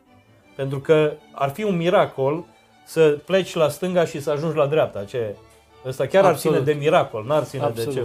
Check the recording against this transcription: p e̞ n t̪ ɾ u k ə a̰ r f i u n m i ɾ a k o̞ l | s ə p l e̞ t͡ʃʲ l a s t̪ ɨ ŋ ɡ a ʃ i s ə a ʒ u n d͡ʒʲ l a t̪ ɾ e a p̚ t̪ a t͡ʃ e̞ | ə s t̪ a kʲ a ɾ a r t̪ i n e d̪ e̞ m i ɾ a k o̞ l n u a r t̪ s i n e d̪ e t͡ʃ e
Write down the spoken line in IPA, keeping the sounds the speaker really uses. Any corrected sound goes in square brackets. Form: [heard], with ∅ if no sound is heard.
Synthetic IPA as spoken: p e̞ n t̪ ɾ u k ə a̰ r f i u n m i ɾ a k o̞ l | s ə p l e̞ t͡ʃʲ l a s t̪ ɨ ŋ ɡ a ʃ i s ə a ʒ u n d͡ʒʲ l a [d̪] ɾ e a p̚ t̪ a t͡ʃ e̞ | ə s t̪ a kʲ a ɾ a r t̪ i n e d̪ e̞ m i ɾ a k o̞ l n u a r t̪ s i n e d̪ e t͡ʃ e